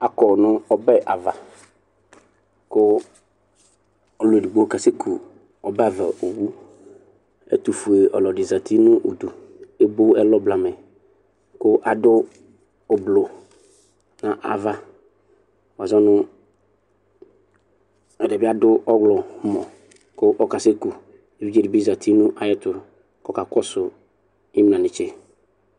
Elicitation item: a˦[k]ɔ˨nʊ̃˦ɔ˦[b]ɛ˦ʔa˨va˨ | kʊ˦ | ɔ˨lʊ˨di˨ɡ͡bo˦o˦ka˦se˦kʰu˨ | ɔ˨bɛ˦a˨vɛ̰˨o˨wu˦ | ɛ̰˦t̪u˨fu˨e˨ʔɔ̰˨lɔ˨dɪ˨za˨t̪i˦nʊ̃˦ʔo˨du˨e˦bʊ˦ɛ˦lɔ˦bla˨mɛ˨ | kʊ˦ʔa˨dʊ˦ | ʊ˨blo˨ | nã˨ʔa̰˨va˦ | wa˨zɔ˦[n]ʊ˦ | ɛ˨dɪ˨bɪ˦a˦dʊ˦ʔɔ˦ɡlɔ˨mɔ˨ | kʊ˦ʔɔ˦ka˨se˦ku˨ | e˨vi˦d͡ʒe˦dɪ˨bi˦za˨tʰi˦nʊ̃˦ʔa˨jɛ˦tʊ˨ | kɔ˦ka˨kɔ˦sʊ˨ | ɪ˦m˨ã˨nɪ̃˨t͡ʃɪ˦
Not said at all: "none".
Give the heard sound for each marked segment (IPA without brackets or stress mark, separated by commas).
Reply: k, b, n